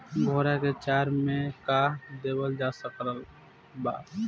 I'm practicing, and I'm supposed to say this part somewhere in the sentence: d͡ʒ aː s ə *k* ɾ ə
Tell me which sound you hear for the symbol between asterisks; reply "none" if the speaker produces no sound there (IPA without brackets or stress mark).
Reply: k